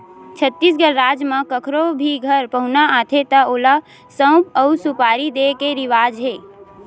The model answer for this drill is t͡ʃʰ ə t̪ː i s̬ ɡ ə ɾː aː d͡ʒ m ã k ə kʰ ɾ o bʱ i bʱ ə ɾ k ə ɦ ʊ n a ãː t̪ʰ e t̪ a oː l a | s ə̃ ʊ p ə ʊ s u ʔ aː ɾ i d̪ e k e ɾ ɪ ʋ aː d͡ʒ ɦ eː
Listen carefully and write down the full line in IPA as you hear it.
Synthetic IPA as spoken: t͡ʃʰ ə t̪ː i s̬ ɡ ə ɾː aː d͡ʒ m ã k ə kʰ ɾ o bʱ i ɡʱ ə ɾ p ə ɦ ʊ n a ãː t̪ʰ e t̪ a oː l a | s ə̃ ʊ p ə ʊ s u p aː ɾ i d̪ e k e ɾ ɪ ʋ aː d͡ʒ ɦ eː